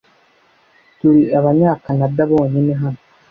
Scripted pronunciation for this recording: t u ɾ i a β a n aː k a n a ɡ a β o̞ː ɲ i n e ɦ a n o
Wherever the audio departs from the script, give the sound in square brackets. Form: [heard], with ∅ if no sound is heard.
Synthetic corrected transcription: t u ɾ i a β a [ɲ] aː k a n a [d] a β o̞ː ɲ i n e ɦ a n o